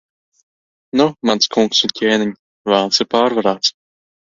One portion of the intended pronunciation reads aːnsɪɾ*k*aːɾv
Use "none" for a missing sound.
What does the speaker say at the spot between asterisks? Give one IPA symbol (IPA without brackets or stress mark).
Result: p